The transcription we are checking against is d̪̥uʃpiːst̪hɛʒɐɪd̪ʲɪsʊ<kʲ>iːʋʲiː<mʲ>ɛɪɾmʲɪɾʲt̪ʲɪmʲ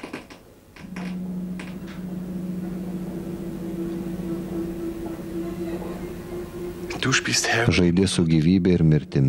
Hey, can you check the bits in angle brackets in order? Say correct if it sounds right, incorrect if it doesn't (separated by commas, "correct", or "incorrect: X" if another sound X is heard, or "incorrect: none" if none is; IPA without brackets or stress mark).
incorrect: ɡʲ, incorrect: bʲ